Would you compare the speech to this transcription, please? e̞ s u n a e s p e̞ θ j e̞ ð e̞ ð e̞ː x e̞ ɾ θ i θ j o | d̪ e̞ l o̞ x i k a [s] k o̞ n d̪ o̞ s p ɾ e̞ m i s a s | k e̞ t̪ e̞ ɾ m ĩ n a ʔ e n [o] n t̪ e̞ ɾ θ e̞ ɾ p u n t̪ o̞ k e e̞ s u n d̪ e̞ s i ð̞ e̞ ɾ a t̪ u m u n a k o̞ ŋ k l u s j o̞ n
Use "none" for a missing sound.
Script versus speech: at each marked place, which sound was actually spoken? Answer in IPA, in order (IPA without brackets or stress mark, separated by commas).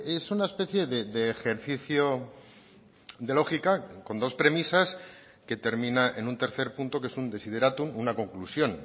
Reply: none, u